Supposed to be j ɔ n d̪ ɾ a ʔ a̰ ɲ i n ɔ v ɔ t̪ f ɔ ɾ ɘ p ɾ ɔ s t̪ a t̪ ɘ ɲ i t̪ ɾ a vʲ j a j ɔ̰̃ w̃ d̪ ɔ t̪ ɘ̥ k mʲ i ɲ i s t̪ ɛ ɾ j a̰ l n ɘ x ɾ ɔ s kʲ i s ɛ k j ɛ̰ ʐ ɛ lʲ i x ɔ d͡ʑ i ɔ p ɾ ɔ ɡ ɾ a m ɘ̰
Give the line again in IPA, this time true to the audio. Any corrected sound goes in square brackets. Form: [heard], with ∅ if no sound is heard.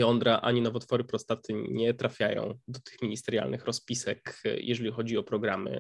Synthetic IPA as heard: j ɔ n d̪ ɾ a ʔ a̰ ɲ i n ɔ v ɔ t̪ f ɔ ɾ ɘ p ɾ ɔ s t̪ a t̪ ɘ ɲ [ɛ] t̪ ɾ a [fʲ] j a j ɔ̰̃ w̃ d̪ ɔ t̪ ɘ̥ [x] mʲ i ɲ i s t̪ ɛ ɾ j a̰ l n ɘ x ɾ ɔ s [pʲ] i s ɛ k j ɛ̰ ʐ ɛ lʲ i x ɔ d͡ʑ i ɔ p ɾ ɔ ɡ ɾ a m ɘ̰